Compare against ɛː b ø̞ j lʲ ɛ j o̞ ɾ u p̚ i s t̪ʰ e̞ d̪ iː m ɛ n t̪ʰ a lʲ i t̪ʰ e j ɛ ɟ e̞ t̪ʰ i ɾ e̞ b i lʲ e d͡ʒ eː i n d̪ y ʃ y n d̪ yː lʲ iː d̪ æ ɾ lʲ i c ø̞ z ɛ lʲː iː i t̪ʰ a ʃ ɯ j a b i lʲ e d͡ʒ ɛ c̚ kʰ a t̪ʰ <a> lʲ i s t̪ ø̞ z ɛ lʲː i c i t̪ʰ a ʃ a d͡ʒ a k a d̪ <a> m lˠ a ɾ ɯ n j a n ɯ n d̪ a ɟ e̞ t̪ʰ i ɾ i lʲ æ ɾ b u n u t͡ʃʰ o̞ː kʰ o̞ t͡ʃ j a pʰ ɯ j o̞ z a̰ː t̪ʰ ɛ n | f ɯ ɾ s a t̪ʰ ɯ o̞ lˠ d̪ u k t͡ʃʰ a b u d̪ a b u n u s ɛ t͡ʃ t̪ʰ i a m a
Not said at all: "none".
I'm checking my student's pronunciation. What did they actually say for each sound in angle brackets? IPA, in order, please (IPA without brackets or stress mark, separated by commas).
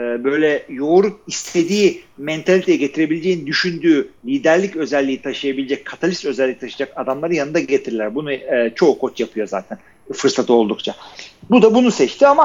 a, a